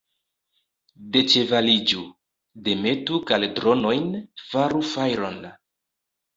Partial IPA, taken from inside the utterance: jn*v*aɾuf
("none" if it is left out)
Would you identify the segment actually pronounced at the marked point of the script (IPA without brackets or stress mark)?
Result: f